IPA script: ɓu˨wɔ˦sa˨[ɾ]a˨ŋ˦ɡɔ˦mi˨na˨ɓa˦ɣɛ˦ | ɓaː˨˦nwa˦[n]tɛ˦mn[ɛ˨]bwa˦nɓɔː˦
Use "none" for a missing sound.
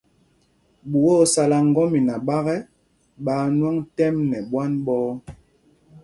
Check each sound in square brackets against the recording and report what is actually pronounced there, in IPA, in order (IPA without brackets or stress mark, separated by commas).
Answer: l, ŋ, ɛ˨